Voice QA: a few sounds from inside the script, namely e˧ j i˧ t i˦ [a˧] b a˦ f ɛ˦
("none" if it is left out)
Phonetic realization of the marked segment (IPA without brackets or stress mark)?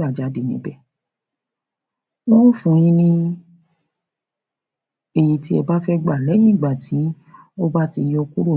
ɛ˧